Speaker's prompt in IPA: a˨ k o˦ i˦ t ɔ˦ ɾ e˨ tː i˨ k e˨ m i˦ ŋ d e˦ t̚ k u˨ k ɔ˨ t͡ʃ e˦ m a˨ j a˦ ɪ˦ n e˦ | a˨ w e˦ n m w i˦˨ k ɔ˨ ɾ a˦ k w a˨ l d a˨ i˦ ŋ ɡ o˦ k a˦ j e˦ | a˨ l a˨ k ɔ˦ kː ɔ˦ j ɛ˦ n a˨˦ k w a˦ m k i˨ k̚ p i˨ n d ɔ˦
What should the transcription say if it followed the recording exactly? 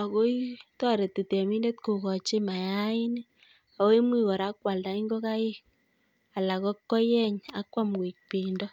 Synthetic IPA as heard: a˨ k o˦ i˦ t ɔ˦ ɾ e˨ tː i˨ t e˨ m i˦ n d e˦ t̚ k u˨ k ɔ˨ t͡ʃ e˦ m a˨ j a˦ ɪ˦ n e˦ | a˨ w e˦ m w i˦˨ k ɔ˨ ɾ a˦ k w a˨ l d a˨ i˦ ŋ ɡ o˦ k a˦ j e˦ | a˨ l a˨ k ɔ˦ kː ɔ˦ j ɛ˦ ɲ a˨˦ k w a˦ m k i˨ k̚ p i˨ n d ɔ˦